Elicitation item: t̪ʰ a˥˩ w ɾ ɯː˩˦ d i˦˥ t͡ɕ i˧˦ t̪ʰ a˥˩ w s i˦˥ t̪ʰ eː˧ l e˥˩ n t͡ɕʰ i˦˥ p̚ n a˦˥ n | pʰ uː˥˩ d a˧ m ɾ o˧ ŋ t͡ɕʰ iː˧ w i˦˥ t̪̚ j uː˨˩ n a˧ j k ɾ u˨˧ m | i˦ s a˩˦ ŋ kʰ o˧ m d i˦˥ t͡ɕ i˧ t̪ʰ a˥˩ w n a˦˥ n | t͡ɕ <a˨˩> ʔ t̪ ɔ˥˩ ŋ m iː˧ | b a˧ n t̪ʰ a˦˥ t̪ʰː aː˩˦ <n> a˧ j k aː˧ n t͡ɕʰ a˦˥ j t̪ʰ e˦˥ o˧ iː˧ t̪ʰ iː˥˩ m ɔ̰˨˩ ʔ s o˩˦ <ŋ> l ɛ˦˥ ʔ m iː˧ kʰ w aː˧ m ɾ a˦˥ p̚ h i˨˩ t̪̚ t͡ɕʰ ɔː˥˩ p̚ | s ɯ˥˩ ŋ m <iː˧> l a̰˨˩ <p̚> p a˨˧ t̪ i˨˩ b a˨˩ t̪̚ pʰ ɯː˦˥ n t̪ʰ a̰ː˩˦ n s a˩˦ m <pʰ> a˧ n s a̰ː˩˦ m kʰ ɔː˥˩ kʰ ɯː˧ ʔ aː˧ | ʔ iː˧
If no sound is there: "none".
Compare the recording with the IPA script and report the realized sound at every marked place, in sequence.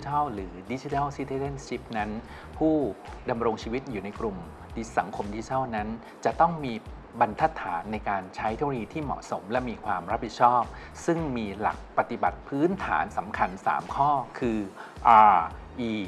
a˨˩, nː, m, iː˧, k̚, kʰ

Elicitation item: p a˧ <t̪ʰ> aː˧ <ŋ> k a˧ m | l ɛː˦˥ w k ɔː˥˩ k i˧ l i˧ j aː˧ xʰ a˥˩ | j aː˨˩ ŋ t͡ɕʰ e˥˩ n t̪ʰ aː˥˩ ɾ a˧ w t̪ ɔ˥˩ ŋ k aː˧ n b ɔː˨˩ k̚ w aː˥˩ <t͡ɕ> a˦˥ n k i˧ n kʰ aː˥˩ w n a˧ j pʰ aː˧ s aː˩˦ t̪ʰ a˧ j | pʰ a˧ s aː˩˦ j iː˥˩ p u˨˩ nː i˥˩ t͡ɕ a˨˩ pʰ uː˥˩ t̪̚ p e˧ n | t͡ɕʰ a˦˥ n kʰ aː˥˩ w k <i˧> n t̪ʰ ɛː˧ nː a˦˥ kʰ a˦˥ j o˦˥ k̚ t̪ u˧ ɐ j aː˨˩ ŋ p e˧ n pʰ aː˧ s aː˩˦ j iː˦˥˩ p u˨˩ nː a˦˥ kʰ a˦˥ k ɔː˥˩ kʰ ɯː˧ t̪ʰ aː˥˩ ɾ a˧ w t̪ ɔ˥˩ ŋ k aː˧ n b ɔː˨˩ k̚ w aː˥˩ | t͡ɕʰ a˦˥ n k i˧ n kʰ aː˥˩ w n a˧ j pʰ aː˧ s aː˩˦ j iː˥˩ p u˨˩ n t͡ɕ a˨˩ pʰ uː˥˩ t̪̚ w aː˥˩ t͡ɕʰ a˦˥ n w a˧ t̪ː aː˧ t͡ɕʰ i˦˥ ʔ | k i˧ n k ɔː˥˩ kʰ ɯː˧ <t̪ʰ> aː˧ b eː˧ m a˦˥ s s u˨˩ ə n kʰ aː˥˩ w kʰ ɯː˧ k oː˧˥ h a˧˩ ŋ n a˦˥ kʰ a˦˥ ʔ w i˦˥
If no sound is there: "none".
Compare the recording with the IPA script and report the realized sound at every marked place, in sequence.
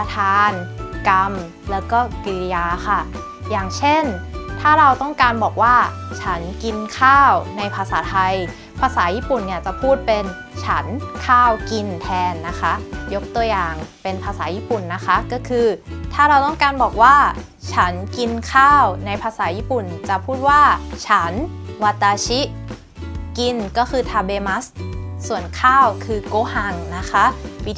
t̪ʰ, n, t͡ɕʰ, i˧, t̪ʰ

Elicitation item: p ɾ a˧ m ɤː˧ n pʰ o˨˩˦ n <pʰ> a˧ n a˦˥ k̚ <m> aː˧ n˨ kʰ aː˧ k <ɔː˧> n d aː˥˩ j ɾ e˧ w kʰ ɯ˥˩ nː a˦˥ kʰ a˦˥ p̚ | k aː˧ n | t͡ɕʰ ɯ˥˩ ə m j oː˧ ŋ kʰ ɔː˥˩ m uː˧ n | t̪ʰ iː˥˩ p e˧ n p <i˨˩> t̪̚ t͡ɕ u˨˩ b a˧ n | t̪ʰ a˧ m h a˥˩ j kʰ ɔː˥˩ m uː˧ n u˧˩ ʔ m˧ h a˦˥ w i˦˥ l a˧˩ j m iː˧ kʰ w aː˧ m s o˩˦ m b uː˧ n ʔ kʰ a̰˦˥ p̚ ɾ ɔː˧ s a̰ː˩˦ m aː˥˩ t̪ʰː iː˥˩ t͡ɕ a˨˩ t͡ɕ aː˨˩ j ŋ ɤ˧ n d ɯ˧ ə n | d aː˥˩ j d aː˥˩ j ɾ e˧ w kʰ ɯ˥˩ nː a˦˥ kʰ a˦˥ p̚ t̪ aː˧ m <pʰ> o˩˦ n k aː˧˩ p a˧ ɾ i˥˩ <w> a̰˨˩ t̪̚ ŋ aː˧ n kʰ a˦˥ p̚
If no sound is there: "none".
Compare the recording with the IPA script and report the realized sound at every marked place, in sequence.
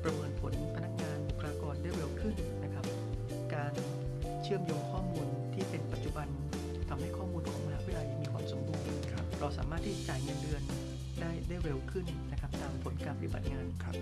pʰ, ŋ, ɔː˧, a˨˩, pʰ, b

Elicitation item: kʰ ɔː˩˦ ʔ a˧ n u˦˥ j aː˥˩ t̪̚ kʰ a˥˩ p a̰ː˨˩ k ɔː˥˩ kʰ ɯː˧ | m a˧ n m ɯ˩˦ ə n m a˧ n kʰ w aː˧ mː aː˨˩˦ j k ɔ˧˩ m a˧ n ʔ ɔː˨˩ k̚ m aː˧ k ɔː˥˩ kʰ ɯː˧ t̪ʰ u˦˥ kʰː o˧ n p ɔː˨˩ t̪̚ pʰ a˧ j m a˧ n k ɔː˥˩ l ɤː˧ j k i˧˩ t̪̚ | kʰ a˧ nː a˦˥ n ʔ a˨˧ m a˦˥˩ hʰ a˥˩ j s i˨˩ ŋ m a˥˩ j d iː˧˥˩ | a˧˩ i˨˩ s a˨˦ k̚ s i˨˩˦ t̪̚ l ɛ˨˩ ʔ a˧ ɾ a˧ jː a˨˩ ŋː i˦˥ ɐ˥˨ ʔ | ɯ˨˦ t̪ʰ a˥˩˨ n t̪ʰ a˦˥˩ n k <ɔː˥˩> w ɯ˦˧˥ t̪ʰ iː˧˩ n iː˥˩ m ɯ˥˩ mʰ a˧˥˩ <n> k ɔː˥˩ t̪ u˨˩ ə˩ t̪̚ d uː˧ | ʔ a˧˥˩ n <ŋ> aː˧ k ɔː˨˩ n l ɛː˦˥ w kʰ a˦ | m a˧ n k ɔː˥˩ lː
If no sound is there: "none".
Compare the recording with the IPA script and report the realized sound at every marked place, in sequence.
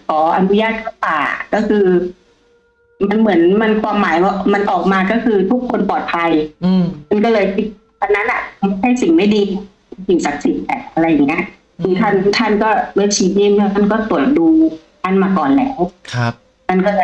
ɔː˥˩, n, m

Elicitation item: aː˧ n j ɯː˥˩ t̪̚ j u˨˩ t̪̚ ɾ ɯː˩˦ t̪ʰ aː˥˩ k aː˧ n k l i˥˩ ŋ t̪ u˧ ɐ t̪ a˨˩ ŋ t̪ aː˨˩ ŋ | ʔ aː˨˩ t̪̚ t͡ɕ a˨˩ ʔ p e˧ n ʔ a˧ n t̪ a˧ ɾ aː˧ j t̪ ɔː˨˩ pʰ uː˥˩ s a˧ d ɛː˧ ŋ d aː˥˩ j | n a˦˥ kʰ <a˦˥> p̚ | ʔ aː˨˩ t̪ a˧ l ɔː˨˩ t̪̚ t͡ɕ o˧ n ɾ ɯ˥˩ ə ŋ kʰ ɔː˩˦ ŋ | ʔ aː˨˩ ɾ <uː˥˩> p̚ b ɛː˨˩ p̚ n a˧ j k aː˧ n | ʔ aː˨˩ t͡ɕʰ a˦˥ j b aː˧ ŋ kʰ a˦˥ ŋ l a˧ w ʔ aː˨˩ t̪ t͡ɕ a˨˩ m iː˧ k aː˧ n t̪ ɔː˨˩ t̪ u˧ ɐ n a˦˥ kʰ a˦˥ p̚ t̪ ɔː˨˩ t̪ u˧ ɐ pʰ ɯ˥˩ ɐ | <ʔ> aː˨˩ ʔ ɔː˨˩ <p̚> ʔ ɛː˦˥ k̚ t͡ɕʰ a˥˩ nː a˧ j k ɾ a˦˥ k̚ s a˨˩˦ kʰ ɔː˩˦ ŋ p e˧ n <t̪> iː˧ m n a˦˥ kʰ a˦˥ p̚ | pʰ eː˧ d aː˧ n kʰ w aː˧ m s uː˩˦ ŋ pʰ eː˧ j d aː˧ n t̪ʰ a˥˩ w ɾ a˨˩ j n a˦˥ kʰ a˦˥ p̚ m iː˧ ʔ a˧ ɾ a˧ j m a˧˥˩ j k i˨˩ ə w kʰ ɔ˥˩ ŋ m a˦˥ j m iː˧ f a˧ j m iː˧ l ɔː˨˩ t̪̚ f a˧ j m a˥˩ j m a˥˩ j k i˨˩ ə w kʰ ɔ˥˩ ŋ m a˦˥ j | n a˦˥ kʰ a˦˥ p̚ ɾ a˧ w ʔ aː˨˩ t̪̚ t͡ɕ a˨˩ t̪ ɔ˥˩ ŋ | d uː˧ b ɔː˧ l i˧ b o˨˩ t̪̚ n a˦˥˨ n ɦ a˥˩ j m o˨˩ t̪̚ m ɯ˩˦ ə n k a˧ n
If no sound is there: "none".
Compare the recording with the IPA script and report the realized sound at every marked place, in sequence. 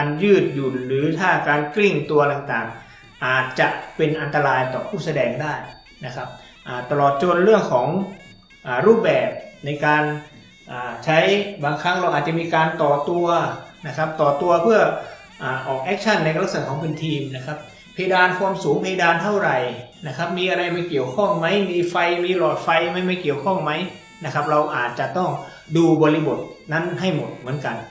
a˦˥, uː˥˩, ʔ, k̚, t̪ʰ

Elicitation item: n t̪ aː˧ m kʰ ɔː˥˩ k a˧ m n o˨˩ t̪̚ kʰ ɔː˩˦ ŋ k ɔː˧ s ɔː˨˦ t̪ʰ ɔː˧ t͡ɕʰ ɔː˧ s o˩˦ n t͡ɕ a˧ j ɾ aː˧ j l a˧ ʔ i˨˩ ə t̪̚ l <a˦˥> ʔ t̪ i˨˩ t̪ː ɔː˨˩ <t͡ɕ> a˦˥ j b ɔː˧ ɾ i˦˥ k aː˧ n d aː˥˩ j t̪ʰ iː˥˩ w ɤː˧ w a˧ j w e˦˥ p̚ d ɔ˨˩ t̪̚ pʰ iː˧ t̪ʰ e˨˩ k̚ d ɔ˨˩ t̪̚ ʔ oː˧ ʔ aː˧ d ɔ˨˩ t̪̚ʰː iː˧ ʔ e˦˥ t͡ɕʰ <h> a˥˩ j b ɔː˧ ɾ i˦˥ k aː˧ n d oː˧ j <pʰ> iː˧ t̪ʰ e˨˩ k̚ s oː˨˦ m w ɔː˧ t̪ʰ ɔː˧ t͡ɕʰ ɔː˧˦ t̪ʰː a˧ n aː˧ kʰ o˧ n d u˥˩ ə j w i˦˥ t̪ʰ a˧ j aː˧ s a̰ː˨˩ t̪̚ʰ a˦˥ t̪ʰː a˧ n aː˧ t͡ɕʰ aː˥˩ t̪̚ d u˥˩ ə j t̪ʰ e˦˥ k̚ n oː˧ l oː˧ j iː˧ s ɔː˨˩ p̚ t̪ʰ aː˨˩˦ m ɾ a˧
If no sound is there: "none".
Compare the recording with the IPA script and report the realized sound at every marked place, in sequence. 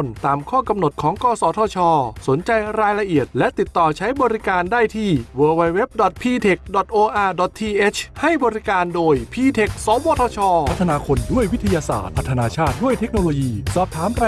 ɛ˦˥, t͡ɕʰ, h, pʰ

